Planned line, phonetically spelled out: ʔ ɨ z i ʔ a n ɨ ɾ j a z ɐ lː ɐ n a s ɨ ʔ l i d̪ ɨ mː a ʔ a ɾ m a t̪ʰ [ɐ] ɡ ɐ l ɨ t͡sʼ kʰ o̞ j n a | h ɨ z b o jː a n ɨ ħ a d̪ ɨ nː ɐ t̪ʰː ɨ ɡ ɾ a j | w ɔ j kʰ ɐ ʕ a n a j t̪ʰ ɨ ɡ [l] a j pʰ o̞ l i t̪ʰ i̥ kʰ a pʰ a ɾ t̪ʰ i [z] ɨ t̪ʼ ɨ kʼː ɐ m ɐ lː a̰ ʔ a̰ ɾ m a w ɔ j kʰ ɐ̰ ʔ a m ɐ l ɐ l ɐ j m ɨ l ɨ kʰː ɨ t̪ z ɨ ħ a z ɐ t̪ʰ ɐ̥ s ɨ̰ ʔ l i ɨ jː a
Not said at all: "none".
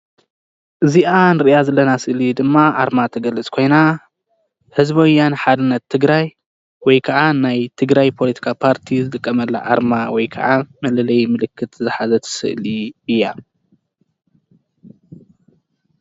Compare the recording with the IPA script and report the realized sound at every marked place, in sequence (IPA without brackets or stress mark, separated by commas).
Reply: ɐ, ɾ, z